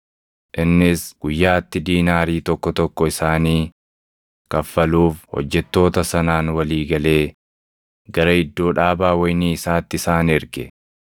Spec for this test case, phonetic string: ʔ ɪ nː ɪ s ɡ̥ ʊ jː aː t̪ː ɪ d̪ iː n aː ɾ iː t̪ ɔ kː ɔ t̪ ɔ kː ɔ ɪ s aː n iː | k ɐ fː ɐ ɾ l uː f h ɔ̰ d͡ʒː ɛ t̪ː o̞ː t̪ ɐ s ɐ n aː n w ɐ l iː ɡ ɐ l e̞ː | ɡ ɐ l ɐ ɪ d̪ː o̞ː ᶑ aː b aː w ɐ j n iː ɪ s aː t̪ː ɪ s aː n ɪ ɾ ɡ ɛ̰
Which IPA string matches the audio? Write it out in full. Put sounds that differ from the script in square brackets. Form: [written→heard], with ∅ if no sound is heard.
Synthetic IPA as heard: ʔ ɪ nː ɪ s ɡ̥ ʊ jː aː t̪ː ɪ d̪ iː n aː ɾ iː t̪ ɔ kː ɔ t̪ ɔ kː ɔ ɪ s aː n iː | k ɐ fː ɐ [ɾ→∅] l uː f h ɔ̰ d͡ʒː ɛ t̪ː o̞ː t̪ ɐ s ɐ n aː n w ɐ l iː ɡ ɐ l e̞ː | ɡ ɐ [l→ɾ] ɐ ɪ d̪ː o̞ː ᶑ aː b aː w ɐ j n iː ɪ s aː t̪ː ɪ s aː n ɪ ɾ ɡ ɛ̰